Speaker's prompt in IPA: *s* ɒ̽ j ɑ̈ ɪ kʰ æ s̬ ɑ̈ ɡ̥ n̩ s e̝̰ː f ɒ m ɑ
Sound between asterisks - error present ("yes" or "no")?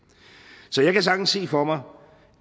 no